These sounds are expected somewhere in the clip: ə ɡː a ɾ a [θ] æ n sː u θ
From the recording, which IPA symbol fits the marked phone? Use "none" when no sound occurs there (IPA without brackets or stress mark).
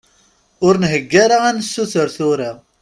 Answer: none